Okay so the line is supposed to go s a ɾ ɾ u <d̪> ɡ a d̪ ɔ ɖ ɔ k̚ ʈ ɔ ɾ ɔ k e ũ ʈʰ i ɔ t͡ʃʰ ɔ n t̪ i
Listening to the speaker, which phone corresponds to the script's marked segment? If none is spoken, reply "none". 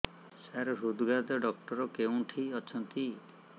d̪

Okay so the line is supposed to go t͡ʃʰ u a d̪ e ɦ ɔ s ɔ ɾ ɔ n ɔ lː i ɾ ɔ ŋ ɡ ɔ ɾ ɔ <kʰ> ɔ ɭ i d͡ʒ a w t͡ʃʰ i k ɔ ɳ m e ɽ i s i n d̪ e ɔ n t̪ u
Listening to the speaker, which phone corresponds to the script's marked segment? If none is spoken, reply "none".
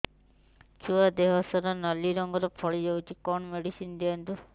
pʰ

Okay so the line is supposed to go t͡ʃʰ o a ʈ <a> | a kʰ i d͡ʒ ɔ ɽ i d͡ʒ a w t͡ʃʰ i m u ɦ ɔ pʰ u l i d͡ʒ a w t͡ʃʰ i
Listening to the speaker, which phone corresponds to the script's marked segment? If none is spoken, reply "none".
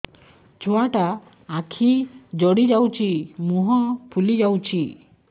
a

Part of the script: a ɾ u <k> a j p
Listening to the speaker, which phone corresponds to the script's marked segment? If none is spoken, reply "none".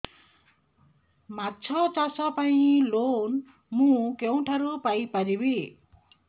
p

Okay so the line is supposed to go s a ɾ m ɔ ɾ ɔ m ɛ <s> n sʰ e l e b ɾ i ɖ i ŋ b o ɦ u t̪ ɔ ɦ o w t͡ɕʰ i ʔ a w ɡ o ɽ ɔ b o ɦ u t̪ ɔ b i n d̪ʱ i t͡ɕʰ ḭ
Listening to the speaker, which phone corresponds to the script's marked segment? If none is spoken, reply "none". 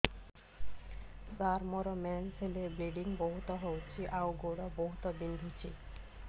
none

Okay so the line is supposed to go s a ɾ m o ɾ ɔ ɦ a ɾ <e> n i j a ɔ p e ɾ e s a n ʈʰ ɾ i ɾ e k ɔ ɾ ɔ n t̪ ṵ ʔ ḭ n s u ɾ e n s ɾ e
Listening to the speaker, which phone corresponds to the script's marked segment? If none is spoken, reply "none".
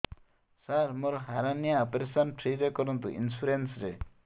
a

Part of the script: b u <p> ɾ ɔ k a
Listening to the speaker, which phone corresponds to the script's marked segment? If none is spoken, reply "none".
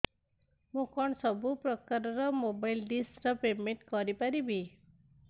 p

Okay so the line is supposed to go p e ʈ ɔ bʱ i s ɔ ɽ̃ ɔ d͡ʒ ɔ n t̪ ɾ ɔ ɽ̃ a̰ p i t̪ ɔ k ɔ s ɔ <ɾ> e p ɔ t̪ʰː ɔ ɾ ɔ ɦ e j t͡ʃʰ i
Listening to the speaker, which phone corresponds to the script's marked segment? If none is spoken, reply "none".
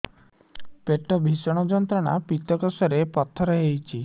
ɾ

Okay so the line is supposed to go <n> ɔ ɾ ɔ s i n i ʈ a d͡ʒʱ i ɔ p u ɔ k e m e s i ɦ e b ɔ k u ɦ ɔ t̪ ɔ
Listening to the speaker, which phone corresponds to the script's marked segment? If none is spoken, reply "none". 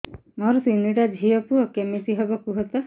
m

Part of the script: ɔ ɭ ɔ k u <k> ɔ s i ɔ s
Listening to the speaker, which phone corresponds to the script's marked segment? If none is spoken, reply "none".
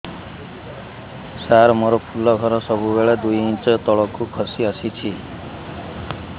kʰ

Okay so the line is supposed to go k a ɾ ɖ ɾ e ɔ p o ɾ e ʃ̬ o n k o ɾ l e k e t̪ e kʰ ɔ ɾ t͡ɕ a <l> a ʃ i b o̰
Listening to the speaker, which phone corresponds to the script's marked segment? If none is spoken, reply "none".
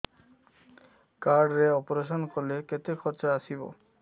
none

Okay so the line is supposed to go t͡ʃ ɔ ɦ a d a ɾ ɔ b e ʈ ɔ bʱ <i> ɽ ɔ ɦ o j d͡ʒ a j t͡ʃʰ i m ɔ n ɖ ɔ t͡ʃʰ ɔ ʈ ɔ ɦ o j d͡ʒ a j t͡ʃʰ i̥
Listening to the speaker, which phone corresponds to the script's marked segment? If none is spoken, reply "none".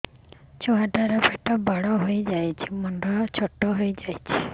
a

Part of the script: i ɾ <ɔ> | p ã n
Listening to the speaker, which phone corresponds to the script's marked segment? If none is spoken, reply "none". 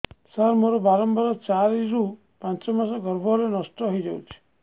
u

